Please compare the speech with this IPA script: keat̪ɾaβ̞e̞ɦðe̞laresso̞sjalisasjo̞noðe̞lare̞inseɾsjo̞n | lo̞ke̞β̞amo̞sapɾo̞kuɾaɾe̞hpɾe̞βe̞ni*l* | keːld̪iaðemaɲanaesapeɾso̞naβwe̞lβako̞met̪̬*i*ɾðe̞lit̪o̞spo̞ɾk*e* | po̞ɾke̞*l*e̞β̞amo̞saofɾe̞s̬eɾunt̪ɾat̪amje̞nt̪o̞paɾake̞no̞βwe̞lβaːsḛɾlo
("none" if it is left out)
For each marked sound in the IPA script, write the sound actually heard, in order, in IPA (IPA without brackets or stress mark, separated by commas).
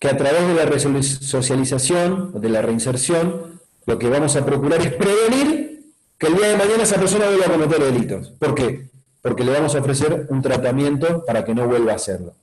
ɾ, e, e, l